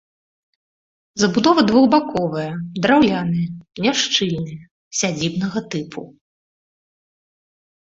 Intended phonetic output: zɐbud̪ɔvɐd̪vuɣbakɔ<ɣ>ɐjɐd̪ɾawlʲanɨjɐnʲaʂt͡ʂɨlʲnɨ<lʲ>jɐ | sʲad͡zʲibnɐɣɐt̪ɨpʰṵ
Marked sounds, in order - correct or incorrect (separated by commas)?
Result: incorrect, incorrect